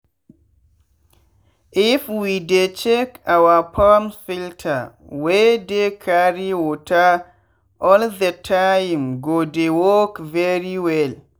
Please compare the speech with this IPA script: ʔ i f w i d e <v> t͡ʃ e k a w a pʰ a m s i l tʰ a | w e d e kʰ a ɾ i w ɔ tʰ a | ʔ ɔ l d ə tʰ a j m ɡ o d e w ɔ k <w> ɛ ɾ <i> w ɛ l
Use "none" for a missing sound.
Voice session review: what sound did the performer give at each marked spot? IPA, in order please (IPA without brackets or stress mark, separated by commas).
none, v, i